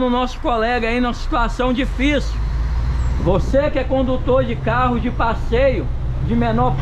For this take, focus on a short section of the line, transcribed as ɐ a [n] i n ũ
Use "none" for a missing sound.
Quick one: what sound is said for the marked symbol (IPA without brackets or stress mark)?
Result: none